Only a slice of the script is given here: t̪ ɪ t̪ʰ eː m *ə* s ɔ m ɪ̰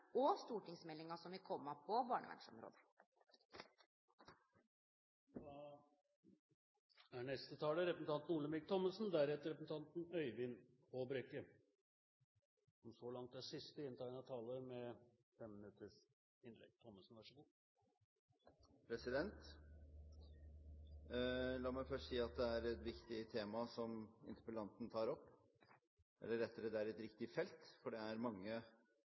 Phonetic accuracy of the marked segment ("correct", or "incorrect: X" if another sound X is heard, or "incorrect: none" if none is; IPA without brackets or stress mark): incorrect: ɑ